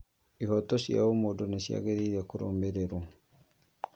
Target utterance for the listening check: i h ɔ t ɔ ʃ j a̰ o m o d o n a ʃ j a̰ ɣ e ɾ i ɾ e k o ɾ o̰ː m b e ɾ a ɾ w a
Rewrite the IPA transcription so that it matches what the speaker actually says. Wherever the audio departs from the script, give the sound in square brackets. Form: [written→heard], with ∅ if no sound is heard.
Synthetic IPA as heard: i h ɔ t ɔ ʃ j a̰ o m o d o n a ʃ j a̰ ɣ e ɾ i ɾ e k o ɾ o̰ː m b e ɾ [a→e] ɾ w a